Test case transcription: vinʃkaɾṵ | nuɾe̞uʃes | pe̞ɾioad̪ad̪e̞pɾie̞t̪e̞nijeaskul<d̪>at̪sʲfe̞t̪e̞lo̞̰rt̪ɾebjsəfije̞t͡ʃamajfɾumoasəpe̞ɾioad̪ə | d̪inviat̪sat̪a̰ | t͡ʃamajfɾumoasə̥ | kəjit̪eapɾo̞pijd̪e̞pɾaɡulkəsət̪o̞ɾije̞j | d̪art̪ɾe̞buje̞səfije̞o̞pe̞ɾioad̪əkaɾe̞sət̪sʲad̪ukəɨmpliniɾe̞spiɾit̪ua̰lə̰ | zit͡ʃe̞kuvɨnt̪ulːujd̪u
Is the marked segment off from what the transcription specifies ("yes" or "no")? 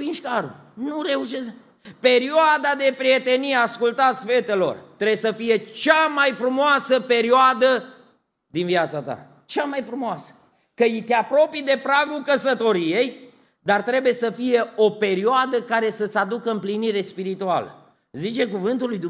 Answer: yes